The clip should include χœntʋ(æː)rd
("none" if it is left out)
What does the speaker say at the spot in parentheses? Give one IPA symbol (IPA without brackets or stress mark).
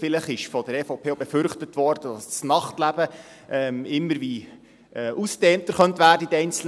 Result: æː